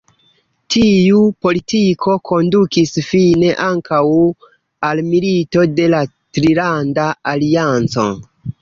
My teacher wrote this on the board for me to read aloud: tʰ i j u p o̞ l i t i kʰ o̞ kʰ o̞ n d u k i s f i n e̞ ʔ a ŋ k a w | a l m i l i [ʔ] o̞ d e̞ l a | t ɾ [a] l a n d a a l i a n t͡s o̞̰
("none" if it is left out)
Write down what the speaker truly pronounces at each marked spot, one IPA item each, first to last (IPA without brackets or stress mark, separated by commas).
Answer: t, i